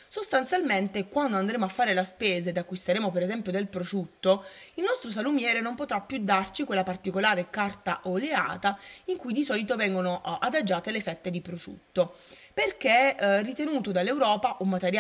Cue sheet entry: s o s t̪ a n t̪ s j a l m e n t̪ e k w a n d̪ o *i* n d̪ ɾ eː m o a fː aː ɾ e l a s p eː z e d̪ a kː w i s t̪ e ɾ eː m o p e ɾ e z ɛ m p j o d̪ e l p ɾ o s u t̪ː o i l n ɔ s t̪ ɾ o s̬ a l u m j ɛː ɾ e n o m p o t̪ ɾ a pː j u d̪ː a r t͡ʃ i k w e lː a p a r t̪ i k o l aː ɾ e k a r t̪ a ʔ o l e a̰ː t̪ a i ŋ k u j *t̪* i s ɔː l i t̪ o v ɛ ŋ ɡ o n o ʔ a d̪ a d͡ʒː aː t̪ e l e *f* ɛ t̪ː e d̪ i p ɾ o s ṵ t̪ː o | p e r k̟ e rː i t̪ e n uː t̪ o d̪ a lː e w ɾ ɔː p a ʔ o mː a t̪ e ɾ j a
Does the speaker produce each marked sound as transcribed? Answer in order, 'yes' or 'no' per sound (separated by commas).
no, no, yes